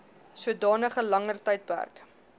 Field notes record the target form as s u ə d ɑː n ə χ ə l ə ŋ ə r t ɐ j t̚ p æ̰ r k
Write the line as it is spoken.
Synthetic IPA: s u ə d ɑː n ə χ ə l ɐ ŋ ə r t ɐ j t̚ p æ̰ r k